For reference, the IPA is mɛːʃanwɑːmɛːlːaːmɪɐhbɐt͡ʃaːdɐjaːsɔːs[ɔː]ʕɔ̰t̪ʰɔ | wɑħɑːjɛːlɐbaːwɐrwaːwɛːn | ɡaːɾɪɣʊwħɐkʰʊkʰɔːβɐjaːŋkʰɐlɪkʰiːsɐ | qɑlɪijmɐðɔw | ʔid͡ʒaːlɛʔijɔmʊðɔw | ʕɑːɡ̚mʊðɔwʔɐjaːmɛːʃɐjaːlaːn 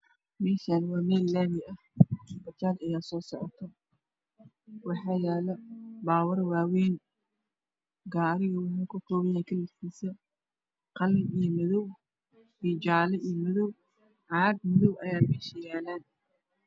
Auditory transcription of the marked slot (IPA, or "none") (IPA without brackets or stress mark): ɔ